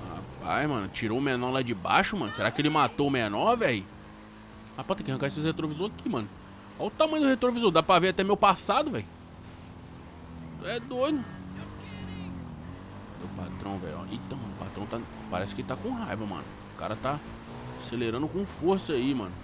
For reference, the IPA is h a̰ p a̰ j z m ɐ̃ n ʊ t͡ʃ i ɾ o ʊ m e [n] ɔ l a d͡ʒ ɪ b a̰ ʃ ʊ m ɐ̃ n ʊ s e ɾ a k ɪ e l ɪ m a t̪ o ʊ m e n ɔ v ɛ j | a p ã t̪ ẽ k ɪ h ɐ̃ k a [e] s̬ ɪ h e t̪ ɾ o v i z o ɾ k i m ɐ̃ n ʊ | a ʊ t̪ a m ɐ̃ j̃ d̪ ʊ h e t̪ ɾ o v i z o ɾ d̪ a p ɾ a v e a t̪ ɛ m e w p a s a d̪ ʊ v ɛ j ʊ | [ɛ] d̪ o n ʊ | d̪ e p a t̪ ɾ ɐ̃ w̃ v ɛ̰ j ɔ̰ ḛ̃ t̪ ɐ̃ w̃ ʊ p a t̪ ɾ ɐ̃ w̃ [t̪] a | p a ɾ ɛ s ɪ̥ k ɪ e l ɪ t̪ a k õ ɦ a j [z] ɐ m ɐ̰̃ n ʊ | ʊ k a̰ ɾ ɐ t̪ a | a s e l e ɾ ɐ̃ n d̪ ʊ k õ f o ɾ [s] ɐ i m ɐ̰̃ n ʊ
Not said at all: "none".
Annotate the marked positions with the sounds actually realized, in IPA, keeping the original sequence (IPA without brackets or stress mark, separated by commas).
n, e, ɛ, t̪, v, s